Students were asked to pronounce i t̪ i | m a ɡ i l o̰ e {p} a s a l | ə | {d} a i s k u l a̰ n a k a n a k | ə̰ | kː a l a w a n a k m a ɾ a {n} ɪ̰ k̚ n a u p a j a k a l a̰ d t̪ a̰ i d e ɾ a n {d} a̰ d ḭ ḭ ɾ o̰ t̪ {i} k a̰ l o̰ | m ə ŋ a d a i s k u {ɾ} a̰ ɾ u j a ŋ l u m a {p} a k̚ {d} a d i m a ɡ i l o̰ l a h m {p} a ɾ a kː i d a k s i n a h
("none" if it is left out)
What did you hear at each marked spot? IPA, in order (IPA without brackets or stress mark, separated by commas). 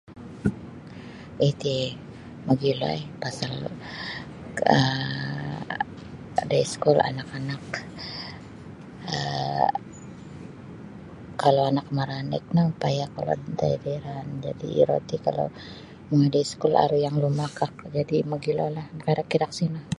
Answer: p, d, n, d͡ʒ, i, l, k, d͡ʒ, k